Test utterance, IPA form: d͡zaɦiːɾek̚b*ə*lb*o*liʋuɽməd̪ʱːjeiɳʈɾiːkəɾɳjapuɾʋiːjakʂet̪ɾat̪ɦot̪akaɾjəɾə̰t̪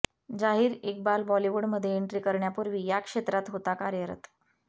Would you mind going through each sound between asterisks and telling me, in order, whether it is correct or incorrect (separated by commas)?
incorrect, incorrect